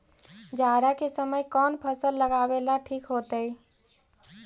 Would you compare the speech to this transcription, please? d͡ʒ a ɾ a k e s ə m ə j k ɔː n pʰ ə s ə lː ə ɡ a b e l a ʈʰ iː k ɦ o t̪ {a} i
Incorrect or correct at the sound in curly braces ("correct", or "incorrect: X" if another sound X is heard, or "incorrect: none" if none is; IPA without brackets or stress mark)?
incorrect: ə